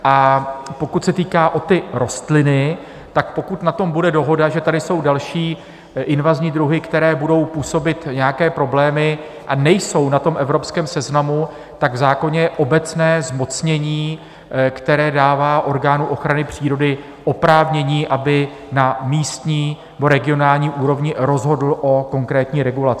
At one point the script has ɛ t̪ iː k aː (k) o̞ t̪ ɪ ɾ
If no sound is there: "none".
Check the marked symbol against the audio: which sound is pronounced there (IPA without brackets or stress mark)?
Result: ʔ